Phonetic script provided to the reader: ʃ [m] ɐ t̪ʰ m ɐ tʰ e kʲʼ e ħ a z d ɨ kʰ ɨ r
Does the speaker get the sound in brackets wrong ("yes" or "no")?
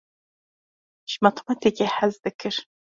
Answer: no